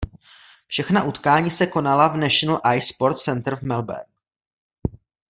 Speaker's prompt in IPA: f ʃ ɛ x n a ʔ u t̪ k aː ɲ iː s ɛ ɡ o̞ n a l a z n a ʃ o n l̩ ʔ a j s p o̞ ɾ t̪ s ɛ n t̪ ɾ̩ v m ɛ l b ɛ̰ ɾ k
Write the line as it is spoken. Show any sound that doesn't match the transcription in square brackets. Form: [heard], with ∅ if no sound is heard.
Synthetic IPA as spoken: f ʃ ɛ x n a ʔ u t̪ k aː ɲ iː s ɛ [k] o̞ n a l a [v] n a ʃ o n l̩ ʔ a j s p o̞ ɾ t̪ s ɛ n t̪ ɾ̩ v m ɛ l b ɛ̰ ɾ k

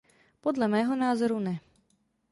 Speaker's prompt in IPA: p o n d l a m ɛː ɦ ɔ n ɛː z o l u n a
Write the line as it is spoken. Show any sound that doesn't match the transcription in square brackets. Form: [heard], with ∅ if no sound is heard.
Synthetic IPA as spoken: p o [∅] d l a m ɛː ɦ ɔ n [aː] z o [ɾ] u n [ɛ]

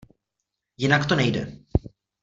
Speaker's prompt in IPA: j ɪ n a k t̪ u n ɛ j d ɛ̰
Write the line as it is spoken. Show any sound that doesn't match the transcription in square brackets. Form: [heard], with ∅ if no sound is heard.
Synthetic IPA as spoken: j ɪ n a k t̪ [o] n ɛ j d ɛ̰

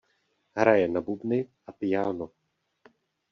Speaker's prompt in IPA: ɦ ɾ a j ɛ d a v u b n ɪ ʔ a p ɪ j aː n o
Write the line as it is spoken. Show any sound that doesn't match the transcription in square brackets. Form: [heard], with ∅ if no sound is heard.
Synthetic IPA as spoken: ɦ ɾ a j ɛ [n] a [b] u b n ɪ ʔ a p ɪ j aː n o

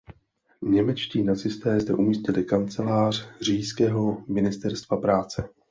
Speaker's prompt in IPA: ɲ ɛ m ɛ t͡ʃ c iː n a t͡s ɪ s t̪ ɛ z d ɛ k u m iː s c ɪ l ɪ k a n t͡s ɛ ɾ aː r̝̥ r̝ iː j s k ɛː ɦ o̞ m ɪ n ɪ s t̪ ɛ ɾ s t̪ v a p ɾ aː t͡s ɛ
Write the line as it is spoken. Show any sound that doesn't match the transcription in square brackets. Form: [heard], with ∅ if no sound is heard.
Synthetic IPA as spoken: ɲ ɛ m ɛ t͡ʃ c iː n a t͡s ɪ s t̪ [ɛː] z d ɛ [ʔ] u m iː s c ɪ l ɪ k a n t͡s ɛ [l] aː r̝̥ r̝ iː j s k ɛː ɦ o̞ m ɪ n ɪ s t̪ ɛ ɾ s t̪ v a p ɾ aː t͡s ɛ

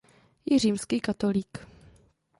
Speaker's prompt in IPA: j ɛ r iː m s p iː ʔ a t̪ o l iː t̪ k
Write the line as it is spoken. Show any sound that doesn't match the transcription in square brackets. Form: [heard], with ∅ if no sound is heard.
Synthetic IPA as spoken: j ɛ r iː m s [k] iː [k] a t̪ o l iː [∅] k

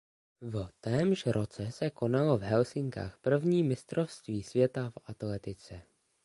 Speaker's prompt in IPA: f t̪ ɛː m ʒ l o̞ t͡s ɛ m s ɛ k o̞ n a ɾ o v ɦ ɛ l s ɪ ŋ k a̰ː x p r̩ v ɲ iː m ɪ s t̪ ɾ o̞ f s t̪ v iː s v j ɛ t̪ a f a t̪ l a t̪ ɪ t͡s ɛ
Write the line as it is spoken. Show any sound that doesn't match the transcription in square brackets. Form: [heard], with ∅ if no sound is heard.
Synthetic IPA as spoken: [v] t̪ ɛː m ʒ [ɾ] o̞ t͡s ɛ [∅] s ɛ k o̞ n a [l] o v ɦ ɛ l s ɪ ŋ k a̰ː x p r̩ v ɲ iː m ɪ s t̪ ɾ o̞ f s t̪ v iː s v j ɛ t̪ a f a t̪ l [ɛ] t̪ ɪ t͡s ɛ

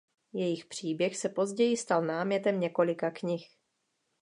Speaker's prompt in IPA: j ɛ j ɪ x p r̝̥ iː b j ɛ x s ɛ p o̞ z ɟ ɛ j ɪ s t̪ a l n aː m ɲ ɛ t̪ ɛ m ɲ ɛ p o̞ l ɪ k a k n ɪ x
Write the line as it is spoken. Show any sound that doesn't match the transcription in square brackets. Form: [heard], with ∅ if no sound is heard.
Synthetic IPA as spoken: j ɛ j ɪ x p r̝̥ iː b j ɛ x s ɛ p o̞ z ɟ ɛ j ɪ s t̪ a l n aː m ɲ ɛ t̪ ɛ m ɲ ɛ [k] o̞ l ɪ k a k [ɲ] ɪ x

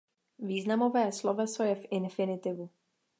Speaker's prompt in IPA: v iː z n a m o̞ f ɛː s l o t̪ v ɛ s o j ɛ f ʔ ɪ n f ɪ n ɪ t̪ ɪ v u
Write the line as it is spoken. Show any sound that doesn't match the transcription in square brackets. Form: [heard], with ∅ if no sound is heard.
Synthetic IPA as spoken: v iː z n a m o̞ [v] ɛː s l o [∅] v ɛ s o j ɛ f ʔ ɪ n f ɪ n ɪ t̪ ɪ v u

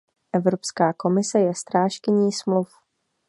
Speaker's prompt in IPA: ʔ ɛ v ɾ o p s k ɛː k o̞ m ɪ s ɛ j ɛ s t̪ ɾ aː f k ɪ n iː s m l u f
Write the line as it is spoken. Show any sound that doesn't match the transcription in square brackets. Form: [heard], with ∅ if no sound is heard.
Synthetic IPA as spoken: ʔ ɛ v ɾ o p s k [aː] k o̞ m ɪ s ɛ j ɛ s t̪ ɾ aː [ʃ] k ɪ [ɲ] iː s m l u f

